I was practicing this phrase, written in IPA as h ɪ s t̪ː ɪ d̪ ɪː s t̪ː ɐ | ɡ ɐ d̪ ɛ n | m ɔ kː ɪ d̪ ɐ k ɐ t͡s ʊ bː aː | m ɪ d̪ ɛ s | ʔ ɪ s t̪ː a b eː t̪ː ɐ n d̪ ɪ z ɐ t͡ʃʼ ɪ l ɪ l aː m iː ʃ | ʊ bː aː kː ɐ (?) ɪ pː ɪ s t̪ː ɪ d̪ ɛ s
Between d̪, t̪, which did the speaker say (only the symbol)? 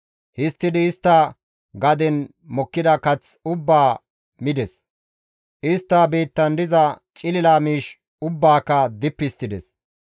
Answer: d̪